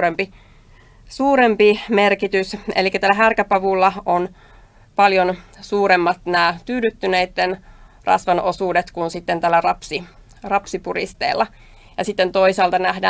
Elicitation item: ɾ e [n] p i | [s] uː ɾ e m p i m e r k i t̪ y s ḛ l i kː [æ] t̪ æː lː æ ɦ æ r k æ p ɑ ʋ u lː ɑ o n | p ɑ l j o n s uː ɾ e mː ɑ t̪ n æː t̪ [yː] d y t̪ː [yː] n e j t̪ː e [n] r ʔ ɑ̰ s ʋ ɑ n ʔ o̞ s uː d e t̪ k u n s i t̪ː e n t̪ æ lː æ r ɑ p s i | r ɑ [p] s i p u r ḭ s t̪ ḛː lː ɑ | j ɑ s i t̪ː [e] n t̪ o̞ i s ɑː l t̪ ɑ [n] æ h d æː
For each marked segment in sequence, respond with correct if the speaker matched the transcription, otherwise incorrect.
incorrect: m, correct, correct, correct, incorrect: y, correct, correct, correct, correct

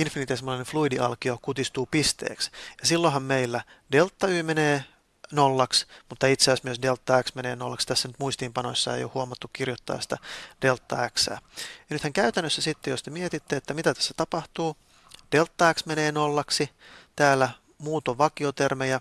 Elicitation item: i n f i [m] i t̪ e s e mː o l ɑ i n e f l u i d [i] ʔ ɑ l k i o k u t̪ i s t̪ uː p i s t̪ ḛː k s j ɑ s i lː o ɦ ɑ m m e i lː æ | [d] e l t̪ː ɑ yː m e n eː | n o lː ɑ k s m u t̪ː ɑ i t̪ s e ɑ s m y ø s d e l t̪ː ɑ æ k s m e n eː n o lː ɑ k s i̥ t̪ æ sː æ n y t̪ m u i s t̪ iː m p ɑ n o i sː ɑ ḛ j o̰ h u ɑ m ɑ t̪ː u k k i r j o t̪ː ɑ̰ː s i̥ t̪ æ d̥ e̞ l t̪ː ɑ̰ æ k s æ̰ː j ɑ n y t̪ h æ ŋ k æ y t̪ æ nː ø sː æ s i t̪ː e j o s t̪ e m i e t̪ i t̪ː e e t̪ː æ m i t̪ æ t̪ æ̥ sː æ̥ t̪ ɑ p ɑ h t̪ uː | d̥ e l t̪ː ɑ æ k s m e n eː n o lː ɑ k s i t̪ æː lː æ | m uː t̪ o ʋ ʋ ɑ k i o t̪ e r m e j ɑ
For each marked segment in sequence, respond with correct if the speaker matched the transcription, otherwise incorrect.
incorrect: n, correct, correct

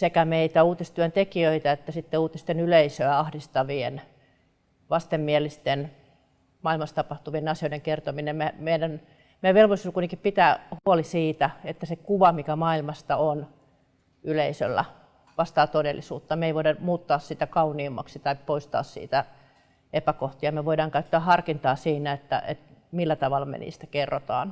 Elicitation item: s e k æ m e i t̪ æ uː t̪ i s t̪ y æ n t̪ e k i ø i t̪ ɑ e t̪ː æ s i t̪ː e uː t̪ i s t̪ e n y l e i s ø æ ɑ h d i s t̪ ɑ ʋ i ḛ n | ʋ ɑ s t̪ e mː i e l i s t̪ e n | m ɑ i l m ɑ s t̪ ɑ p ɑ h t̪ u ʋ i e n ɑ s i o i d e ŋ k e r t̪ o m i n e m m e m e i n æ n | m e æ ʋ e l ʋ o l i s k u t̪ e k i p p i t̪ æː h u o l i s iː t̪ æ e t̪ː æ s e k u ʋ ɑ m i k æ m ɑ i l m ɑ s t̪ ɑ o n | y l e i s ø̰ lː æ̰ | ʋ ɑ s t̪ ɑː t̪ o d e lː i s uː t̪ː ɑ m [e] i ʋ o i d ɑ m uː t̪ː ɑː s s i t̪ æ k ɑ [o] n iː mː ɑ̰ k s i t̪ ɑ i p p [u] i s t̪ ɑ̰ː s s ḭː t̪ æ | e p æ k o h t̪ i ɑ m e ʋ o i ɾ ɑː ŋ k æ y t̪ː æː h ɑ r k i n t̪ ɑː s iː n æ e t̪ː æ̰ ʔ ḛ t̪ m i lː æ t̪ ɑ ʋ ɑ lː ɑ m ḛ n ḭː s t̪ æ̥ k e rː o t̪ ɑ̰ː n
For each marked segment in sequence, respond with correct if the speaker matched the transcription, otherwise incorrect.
correct, incorrect: u, incorrect: o

